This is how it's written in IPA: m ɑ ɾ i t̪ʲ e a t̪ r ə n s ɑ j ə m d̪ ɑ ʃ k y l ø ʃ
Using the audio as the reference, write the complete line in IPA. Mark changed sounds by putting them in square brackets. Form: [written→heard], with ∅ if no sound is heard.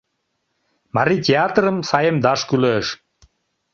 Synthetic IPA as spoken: m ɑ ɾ i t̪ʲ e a t̪ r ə [n→m] s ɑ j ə m d̪ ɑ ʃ k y l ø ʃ